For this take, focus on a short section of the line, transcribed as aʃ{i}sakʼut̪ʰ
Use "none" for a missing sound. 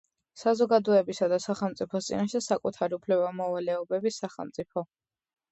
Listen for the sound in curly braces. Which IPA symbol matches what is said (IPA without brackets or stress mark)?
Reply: ɛ